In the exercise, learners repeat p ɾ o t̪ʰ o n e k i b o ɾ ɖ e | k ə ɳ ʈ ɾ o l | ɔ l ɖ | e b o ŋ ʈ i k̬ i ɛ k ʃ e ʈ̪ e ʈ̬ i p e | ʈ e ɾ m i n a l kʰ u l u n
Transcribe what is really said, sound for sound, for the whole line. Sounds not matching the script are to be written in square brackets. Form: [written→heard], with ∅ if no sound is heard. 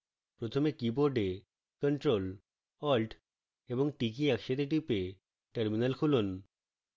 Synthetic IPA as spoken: p ɾ o t̪ʰ o [n→m] e k i b o ɾ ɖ e | k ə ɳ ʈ ɾ o l | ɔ l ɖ | e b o ŋ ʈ i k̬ i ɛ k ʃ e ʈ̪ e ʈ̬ i p e | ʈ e ɾ m i n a l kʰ u l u n